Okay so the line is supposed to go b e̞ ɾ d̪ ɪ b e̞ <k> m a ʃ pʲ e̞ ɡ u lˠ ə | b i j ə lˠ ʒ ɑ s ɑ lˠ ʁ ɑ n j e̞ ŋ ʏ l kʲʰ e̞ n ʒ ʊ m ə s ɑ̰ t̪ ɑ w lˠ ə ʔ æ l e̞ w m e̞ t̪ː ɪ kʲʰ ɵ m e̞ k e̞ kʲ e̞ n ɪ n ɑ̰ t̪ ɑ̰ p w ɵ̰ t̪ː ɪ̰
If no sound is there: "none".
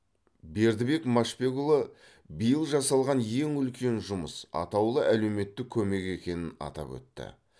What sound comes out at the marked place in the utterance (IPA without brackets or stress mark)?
k